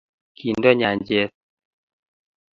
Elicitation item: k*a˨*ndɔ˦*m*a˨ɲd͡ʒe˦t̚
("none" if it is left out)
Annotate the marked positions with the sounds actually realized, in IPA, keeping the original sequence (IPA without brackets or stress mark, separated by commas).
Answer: i˨, ɲ